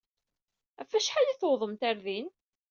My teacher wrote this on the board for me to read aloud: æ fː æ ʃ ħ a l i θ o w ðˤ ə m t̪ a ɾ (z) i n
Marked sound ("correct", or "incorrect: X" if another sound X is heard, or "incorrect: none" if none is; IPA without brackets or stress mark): incorrect: ð